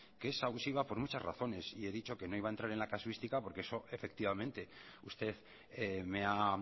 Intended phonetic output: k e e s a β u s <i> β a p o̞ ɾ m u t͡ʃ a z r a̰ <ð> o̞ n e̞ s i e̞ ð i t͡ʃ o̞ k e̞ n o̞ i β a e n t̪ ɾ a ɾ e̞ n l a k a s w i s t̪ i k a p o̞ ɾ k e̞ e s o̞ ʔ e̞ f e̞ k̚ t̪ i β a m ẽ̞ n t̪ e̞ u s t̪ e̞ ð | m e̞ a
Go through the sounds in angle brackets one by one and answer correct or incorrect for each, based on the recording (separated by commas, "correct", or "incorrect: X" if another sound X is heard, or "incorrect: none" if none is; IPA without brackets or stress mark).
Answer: correct, incorrect: θ